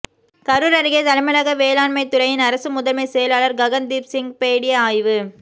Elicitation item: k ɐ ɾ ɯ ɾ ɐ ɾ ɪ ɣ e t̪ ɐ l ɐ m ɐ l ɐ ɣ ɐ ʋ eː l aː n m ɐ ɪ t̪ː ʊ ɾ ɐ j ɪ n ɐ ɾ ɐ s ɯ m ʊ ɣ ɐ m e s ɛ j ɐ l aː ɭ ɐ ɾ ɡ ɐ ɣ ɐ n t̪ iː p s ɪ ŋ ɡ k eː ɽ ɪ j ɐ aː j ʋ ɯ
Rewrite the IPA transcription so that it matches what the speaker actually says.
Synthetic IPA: k ɐ ɾ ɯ ɾ ɐ ɾ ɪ ɣ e t̪ ɐ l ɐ m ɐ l ɐ ɣ ɐ ʋ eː l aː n m ɐ ɪ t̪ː ʊ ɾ ɐ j ɪ n ɐ ɾ ɐ s ɯ m ʊ ð ɐ m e s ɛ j ɐ l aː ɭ ɐ ɾ ɡ ɐ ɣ ɐ n d̪ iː p s ɪ ŋ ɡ p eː ɽ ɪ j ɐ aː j ʋ ɯ